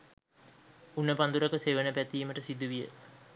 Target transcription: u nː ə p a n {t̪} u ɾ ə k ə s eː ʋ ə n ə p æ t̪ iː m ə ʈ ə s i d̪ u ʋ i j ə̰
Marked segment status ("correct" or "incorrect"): incorrect